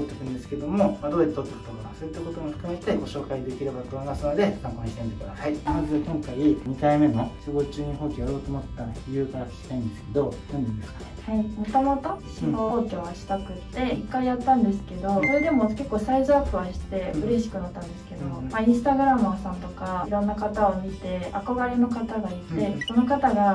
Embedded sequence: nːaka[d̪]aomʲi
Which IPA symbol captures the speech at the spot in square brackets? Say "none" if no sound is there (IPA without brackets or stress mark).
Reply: t̪